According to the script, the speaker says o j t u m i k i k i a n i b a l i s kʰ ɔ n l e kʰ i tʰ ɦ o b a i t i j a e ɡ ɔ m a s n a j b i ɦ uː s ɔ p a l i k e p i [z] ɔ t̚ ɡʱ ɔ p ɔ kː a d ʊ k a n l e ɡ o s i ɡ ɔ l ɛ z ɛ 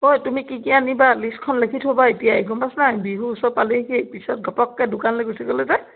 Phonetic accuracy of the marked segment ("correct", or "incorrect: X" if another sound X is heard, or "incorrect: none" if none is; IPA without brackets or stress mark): incorrect: s